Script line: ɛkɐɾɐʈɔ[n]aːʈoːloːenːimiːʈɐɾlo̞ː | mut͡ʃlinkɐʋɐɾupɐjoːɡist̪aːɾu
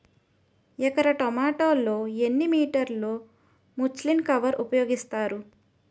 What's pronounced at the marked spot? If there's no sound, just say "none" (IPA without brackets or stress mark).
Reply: m